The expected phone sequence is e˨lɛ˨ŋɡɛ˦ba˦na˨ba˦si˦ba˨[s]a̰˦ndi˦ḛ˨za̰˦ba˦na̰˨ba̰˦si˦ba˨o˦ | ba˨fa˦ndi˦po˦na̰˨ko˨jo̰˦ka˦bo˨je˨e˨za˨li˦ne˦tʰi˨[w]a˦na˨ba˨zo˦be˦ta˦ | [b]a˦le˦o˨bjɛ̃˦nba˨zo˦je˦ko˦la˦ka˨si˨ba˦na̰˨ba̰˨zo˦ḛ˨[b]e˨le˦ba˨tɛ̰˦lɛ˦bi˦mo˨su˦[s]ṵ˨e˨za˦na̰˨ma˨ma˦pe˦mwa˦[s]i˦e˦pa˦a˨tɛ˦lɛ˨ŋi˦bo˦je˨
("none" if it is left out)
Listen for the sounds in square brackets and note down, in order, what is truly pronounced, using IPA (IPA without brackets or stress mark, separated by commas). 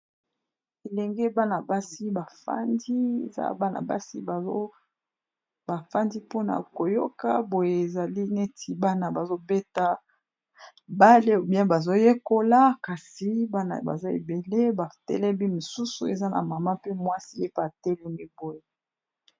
f, b, b, b, s, s